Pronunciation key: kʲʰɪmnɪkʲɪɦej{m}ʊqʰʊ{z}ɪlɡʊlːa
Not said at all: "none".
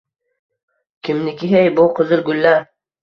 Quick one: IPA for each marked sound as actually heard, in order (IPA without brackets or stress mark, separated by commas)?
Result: b, z